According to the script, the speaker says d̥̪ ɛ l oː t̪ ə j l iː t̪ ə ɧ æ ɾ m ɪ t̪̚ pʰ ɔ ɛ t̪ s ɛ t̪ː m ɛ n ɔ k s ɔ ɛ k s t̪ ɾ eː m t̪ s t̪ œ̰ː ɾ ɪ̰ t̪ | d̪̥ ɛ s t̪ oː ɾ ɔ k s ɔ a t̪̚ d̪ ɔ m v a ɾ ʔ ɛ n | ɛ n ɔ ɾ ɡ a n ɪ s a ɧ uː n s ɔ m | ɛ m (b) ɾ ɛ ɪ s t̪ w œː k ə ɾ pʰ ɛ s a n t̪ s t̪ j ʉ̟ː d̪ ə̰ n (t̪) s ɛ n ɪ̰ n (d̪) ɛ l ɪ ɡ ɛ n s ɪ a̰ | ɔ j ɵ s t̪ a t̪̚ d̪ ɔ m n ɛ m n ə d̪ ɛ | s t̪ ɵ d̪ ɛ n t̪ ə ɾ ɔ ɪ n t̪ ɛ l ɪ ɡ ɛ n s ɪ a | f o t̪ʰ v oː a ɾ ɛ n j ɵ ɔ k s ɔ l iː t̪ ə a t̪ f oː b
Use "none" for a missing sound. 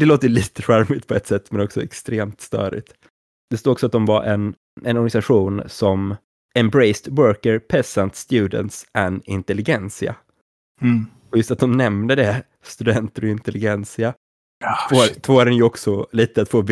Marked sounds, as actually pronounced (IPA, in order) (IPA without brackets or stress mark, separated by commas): b, t̪, t̪